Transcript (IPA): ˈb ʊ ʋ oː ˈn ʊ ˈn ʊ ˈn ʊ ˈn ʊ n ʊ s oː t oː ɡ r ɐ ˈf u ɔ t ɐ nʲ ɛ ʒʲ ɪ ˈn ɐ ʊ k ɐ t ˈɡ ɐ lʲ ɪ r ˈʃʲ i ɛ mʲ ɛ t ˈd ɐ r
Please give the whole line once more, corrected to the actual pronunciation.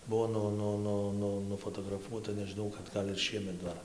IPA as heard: ˈb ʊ ʋ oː ˈn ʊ ˈn ʊ ˈn ʊ ˈn ʊ n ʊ f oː t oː ɡ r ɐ ˈf u ɔ t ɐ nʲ ɛ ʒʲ ɪ ˈn ɐ ʊ k ɐ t ˈɡ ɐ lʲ ɪ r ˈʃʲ i ɛ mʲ ɛ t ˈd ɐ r